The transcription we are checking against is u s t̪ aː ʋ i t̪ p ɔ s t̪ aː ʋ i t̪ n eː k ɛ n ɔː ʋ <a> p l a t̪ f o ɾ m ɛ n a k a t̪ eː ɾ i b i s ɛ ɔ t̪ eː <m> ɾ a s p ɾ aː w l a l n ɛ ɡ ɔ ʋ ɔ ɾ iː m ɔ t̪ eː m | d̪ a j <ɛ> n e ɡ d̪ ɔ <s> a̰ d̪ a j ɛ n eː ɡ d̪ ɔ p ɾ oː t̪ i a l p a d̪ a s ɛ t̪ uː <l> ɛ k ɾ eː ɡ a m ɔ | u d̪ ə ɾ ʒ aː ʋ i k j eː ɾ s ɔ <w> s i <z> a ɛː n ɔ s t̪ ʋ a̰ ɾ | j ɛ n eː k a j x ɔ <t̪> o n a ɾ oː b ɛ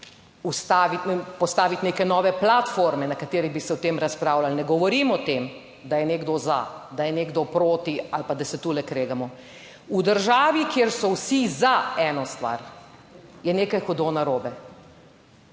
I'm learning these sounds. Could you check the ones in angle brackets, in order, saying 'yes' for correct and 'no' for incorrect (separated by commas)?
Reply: no, yes, yes, no, yes, yes, yes, no